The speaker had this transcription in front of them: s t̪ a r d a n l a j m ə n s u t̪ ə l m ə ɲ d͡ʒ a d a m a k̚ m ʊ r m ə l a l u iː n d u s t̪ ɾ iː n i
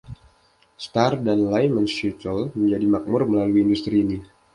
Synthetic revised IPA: s t̪ a r d a n l a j m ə n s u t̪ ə l m ə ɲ d͡ʒ a d i m a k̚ m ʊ r m ə l a l u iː n d u s t̪ ɾ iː n i

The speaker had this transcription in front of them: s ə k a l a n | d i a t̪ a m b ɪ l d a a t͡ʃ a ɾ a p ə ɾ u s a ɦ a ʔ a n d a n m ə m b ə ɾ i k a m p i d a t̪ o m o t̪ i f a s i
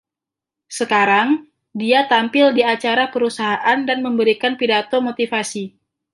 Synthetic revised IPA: s ə k a ɾ a ŋ | d i a t̪ a m p ɪ l d i a t͡ʃ a ɾ a p ə ɾ u s a ɦ a ʔ a n d a n m ə m b ə ɾ i k a n p i d a t̪ o m o t̪ i f a s i

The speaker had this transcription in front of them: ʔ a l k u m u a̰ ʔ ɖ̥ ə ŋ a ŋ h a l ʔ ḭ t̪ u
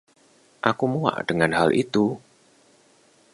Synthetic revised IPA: ʔ a k u m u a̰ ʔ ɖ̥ ə ŋ a n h a l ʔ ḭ t̪ u

